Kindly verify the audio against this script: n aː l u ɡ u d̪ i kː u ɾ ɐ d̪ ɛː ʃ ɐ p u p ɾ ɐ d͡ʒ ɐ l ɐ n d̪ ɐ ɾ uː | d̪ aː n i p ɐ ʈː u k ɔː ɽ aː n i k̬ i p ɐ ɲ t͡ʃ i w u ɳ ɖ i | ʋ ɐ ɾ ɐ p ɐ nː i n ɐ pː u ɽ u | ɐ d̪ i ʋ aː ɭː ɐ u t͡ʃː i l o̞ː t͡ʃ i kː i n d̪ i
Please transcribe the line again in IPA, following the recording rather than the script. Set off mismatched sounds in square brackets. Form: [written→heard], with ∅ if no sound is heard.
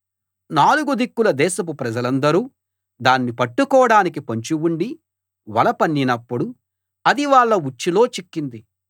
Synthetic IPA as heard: n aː l u ɡ u d̪ i kː u [ɾ→l] ɐ d̪ ɛː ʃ ɐ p u p ɾ ɐ d͡ʒ ɐ l ɐ n d̪ ɐ ɾ uː | d̪ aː [n→nː] i p ɐ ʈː u k ɔː ɽ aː n i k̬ i p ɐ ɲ t͡ʃ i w u ɳ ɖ i | ʋ ɐ [ɾ→l] ɐ p ɐ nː i n ɐ pː u ɽ u | ɐ d̪ i ʋ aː ɭː ɐ u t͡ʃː i l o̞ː t͡ʃ i kː i n d̪ i